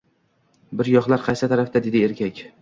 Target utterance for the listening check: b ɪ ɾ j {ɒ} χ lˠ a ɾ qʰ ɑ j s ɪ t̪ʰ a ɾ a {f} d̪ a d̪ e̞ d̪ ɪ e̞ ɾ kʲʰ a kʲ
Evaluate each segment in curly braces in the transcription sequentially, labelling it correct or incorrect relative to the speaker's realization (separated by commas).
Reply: correct, correct